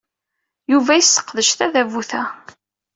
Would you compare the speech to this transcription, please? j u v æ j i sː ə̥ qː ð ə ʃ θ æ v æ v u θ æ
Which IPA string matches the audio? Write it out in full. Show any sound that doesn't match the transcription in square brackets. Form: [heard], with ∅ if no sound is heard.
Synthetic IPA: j u v æ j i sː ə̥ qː ð ə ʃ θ æ [ð] æ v u θ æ